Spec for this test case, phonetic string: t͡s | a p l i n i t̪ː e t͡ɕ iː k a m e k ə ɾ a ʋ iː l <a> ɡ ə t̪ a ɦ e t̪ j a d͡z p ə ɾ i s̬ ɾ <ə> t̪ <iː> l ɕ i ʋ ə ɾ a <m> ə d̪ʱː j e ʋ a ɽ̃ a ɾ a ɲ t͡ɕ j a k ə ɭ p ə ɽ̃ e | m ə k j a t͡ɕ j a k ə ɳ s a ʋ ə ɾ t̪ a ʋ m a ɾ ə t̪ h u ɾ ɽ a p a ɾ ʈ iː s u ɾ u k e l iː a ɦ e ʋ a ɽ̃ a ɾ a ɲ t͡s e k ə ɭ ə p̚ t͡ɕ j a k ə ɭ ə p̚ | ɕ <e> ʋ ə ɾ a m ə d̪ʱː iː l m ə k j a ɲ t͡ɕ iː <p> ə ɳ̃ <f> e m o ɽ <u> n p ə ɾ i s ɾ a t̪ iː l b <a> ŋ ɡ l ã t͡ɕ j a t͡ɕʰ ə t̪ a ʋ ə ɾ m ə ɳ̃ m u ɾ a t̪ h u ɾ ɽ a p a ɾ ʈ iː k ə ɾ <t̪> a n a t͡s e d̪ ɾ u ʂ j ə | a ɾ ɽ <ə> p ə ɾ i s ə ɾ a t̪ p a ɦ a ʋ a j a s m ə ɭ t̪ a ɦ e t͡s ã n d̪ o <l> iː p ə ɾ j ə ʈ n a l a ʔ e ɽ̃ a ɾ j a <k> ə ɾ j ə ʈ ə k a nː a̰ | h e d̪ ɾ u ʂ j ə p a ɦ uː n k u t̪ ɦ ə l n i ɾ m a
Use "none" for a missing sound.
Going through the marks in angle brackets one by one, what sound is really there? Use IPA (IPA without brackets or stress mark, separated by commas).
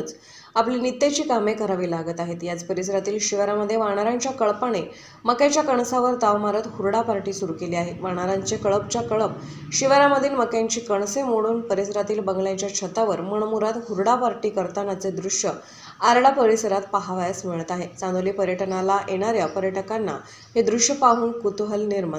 a, a, iː, m, i, k, s, uː, ə, t̪, a, l, p